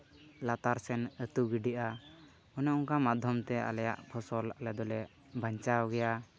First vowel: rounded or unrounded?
unrounded